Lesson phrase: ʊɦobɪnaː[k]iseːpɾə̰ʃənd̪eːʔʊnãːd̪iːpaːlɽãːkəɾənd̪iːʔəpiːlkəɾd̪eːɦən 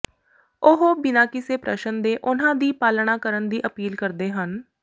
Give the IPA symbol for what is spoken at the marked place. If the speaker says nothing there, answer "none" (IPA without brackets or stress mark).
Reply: k